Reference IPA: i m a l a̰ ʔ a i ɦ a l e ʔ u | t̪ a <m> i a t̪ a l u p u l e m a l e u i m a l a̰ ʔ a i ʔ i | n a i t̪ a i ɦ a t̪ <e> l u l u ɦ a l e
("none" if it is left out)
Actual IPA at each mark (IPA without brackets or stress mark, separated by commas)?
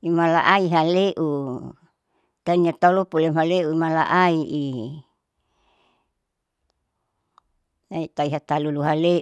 n, a